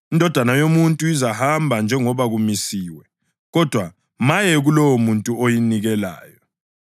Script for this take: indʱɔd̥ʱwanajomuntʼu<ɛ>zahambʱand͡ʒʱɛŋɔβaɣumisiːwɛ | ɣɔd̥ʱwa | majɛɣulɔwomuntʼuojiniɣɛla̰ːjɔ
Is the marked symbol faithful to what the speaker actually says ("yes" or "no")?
no